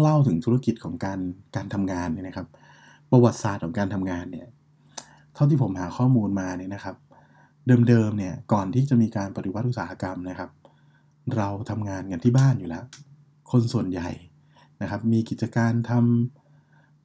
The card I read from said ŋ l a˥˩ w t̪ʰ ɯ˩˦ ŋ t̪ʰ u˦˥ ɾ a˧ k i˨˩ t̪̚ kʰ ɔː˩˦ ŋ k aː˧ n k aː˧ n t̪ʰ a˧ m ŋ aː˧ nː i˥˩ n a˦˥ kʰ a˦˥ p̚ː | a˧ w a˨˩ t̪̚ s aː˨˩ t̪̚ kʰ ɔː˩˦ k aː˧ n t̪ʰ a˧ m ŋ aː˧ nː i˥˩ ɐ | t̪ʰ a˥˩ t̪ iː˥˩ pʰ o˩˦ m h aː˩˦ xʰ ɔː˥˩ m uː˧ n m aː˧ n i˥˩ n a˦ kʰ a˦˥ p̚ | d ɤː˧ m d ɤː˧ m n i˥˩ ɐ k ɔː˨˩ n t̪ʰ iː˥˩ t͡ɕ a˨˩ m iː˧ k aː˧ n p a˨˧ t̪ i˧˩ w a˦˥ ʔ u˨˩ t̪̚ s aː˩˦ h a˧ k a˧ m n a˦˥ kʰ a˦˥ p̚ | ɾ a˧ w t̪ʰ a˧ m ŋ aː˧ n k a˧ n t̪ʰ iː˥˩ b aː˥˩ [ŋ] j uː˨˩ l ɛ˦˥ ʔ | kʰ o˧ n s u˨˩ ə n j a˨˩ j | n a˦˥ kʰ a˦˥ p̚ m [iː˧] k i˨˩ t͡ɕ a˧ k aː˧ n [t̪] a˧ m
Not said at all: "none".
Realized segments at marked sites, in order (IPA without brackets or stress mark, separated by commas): n, iː˧, t̪ʰ